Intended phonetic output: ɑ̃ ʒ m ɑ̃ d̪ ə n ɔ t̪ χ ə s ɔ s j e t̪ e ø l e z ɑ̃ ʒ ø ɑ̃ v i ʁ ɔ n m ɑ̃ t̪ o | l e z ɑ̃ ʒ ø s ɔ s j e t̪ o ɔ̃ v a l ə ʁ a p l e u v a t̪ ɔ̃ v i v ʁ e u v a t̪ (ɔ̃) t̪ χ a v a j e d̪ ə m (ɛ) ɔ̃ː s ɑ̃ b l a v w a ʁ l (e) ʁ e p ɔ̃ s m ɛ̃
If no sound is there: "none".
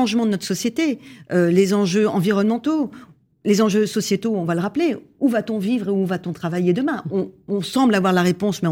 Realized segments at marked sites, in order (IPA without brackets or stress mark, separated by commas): ɔ̃, ɛ̃, a